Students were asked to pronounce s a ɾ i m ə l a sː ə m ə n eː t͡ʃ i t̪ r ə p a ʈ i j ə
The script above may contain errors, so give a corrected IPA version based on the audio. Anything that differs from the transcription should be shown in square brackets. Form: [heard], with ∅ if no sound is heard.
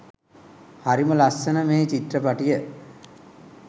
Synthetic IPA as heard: [h] a ɾ i m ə l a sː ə [n] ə [m] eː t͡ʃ i t̪ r ə p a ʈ i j ə